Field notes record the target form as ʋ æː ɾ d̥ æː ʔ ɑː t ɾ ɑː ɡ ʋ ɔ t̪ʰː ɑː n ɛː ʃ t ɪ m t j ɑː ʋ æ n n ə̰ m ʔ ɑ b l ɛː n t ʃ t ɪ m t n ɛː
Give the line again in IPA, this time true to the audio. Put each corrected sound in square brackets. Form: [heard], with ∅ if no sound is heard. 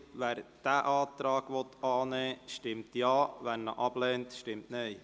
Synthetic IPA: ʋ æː ɾ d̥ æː ʔ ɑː t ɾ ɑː ɡ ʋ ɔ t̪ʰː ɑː n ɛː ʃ t ɪ m t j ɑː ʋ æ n n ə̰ [∅] ʔ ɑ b l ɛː n t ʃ t ɪ m t n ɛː